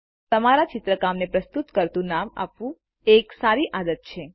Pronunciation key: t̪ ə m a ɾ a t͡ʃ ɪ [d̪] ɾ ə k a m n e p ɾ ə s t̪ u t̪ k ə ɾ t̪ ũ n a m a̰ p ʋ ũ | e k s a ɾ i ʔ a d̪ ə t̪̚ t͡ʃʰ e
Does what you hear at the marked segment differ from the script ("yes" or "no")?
yes